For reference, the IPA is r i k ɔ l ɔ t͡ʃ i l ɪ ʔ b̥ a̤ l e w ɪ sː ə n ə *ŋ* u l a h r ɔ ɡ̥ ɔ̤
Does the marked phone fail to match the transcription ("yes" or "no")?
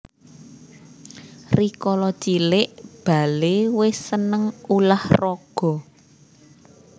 no